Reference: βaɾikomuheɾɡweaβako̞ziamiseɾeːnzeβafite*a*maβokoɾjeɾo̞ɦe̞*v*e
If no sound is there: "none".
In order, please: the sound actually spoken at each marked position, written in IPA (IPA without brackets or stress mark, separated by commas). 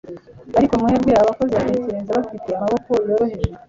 a, ʒ